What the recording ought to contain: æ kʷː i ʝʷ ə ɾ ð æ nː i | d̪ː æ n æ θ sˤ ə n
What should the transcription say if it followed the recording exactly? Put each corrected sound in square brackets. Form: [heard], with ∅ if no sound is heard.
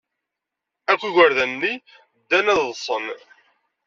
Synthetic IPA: æ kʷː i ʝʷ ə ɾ ð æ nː i | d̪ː æ n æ [ð] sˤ ə n

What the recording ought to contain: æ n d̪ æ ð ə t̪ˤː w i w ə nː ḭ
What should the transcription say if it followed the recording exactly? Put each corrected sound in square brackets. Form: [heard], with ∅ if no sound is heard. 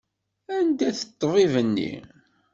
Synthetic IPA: æ n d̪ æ [θ] ə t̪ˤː [v] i [v] ə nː ḭ

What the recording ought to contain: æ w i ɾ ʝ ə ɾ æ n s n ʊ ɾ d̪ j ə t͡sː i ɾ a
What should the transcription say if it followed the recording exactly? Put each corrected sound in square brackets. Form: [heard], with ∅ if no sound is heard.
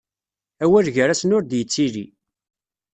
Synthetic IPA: æ w [æ] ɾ ʝ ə ɾ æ [∅] s n ʊ ɾ d̪ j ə t͡sː i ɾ [i]

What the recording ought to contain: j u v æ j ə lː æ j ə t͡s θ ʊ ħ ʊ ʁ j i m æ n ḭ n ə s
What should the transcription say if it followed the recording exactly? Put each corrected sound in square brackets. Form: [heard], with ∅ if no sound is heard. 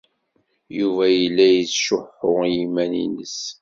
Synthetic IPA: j u v æ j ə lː æ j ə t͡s [ʃ] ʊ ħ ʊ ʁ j i m æ n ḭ n ə s

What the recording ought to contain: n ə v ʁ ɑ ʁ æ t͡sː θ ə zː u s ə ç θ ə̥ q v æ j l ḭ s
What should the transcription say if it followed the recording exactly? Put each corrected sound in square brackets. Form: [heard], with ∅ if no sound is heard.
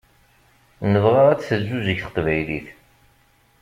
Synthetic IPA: n ə v ʁ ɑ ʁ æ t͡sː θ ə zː u [z] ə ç θ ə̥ q v æ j l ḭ [θ]

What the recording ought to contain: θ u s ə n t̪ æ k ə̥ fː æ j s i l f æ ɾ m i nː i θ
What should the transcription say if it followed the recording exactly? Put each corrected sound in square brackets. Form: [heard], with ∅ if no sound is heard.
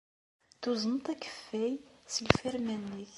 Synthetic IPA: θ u [z] ə n t̪ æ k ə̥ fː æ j s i l f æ ɾ m [æ] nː i θ

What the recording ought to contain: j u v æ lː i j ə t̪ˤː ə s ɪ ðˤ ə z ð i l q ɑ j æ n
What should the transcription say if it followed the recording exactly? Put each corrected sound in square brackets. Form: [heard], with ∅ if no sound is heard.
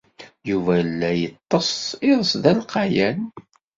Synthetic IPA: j u v æ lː [æ] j ə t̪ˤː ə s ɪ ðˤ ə [s] ð [æ] l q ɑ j æ n

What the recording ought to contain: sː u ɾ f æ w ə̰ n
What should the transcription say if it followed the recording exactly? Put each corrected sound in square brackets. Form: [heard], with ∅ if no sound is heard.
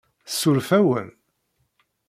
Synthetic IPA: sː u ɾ f æ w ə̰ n

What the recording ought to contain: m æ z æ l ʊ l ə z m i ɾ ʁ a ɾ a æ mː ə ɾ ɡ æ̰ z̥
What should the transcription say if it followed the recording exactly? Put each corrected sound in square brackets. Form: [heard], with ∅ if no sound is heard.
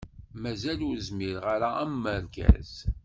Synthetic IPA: m æ z æ l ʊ [ɾ] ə z m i ɾ ʁ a ɾ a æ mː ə ɾ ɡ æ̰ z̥

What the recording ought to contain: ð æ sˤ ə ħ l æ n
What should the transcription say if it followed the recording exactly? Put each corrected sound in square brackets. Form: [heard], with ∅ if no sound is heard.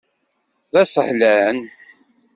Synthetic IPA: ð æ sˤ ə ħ l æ n

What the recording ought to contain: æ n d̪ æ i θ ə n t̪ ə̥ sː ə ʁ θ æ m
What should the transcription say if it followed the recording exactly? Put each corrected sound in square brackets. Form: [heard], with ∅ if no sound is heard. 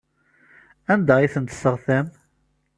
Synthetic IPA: æ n d̪ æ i θ ə n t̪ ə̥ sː ə ʁ θ æ m

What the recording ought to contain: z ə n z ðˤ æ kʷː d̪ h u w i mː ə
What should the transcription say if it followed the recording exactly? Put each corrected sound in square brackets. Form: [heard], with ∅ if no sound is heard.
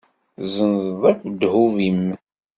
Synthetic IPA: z ə n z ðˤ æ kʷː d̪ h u [v] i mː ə

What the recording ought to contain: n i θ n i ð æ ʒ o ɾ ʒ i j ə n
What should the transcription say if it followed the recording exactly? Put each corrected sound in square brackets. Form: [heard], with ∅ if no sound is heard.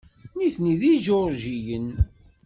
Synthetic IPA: n i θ n i ð [i] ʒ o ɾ ʒ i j ə n

